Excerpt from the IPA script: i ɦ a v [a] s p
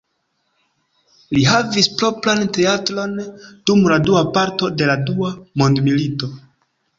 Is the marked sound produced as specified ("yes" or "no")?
no